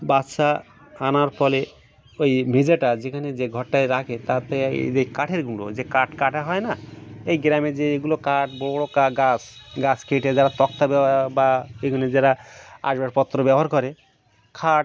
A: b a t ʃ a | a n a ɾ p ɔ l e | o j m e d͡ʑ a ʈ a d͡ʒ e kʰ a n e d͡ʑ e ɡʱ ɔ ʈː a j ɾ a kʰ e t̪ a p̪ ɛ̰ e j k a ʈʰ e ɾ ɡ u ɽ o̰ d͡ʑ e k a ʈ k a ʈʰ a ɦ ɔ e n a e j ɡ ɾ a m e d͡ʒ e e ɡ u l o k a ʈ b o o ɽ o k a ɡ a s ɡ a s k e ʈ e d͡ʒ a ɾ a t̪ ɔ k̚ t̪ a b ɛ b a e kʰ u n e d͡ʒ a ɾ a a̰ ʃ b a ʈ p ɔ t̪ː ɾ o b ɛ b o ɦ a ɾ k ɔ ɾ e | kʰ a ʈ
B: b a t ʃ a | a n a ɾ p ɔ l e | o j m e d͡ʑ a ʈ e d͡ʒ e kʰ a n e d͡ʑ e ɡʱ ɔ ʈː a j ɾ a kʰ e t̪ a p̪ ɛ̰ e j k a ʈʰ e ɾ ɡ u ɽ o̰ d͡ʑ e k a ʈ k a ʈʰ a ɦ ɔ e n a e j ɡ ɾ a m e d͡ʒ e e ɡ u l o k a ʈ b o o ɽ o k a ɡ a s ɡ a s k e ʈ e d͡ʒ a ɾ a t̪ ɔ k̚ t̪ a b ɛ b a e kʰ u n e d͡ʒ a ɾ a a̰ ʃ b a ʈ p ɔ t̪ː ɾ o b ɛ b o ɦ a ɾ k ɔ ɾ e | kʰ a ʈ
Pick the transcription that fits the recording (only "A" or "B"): A